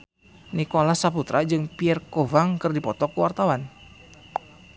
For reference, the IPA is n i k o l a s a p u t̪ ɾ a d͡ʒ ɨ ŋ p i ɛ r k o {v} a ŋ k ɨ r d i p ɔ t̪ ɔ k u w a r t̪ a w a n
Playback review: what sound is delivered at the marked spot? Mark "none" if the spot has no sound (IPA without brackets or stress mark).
v